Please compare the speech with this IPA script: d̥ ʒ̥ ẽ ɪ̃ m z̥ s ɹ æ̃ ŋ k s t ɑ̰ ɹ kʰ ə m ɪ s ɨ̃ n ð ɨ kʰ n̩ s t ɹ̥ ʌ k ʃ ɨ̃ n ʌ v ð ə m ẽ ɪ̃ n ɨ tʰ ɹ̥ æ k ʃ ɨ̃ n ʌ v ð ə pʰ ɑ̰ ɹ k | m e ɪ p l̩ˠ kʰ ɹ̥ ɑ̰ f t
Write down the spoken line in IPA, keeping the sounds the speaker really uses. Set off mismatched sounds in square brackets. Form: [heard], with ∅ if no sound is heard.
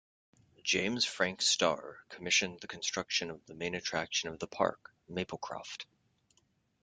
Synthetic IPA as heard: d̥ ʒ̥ ẽ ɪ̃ m z̥ [f] ɹ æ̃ ŋ k s t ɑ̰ ɹ kʰ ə m ɪ [ʃ] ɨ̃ n ð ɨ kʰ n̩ s t ɹ̥ ʌ k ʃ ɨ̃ n ʌ v ð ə m ẽ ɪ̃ n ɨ tʰ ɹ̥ æ k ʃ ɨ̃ n ʌ v ð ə pʰ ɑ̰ ɹ k | m e ɪ p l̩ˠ kʰ ɹ̥ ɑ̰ f t